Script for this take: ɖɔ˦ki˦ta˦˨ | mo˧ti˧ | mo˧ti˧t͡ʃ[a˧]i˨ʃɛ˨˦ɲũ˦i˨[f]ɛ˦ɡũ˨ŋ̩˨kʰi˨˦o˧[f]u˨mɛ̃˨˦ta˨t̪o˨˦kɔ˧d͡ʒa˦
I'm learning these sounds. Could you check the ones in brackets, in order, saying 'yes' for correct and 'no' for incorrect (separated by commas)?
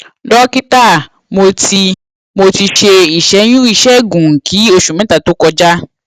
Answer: no, no, no